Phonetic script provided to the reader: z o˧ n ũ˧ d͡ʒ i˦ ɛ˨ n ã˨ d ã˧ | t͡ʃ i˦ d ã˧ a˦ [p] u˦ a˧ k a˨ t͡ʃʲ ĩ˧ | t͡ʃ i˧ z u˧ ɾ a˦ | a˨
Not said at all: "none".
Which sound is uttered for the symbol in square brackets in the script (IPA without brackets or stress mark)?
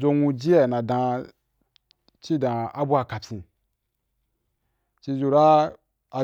b